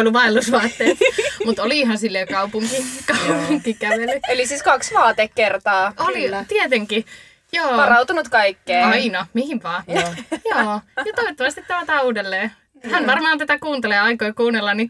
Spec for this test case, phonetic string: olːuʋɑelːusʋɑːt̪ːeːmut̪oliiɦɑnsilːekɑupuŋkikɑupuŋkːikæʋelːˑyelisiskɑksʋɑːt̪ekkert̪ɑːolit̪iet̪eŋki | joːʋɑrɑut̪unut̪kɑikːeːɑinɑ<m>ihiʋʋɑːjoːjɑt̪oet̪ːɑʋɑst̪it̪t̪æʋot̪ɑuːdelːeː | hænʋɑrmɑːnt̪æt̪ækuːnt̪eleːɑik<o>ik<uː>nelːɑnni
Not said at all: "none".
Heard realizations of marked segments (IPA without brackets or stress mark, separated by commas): m, o, uː